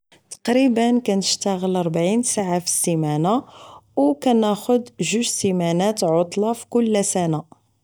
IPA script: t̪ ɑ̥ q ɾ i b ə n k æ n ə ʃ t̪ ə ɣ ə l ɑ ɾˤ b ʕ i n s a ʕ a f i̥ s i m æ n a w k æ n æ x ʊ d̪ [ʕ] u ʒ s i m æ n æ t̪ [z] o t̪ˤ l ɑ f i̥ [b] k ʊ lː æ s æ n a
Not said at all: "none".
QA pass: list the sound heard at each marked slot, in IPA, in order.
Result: ʒ, ʕ, none

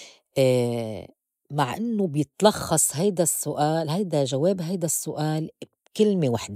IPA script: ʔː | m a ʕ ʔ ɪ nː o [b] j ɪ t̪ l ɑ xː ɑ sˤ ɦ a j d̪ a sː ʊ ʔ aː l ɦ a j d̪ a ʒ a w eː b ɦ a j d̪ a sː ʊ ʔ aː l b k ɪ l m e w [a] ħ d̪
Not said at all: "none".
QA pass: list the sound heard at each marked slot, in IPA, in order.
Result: b, a

